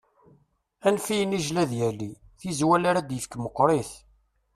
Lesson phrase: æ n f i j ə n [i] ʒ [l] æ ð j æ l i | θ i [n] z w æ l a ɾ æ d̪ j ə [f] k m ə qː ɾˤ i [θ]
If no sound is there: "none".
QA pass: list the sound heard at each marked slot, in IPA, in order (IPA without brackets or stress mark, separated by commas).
i, l, none, f, θ